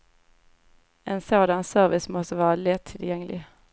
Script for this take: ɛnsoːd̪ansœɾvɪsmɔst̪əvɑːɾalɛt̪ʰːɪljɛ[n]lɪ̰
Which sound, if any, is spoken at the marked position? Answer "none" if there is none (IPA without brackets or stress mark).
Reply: ŋ